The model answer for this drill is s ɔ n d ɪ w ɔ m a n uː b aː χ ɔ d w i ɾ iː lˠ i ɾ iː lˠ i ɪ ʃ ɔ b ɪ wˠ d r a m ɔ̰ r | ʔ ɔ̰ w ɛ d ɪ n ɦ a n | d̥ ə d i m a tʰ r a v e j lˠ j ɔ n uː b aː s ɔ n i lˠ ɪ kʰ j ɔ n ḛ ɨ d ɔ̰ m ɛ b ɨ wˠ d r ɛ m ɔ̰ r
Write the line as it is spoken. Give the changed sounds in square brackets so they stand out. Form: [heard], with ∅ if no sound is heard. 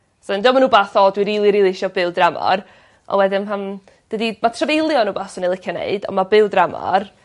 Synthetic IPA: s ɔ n d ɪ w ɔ m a n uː b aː [θ] ɔ d w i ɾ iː lˠ i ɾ iː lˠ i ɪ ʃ ɔ b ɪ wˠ d r a m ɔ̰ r | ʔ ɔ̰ w ɛ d ɪ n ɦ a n | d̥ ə d i m a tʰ r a v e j lˠ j ɔ n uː b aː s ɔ n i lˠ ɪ kʰ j ɔ n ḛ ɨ d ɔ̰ m [a] b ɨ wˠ d r [a] m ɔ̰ r